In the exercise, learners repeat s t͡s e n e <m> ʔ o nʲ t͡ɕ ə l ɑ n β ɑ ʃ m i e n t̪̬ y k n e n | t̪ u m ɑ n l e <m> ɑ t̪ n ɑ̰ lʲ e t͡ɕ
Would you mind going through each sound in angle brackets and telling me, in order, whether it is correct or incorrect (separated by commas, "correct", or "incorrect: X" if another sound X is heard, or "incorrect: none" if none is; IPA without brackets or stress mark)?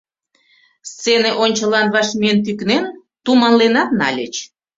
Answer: incorrect: none, incorrect: n